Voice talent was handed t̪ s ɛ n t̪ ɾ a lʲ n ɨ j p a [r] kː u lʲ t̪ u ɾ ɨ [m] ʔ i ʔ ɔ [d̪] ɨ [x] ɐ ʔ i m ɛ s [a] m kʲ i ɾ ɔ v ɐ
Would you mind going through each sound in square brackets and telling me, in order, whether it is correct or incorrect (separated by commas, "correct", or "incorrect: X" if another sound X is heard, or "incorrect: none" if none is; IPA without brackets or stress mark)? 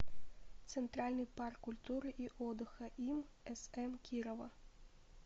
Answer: correct, incorrect: none, correct, correct, incorrect: ɛ